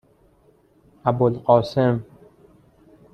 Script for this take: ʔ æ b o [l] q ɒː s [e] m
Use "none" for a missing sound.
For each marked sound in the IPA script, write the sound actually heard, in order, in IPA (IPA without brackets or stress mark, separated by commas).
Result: l, e